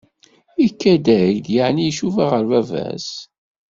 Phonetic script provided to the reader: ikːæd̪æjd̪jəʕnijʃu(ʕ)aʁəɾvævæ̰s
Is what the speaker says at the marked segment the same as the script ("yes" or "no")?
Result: no